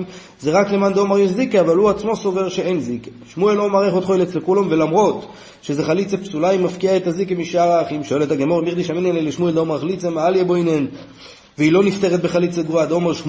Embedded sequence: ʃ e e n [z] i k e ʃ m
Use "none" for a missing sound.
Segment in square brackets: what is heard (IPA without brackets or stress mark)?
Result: z